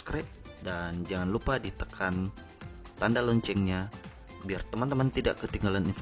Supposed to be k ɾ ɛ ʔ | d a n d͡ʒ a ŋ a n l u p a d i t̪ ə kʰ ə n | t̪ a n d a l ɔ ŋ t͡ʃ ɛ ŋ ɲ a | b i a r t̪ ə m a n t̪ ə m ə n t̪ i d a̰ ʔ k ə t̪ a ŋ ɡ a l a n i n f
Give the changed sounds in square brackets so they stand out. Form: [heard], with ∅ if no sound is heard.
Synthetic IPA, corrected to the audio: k ɾ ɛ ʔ | d a n d͡ʒ a ŋ a n l u p a d i t̪ ə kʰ [a] n | t̪ a n d a l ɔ [ɲ] t͡ʃ ɛ ŋ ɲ a | b i a r t̪ ə m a n t̪ ə m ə n t̪ i d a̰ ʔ k ə t̪ [i] ŋ ɡ a l a n i n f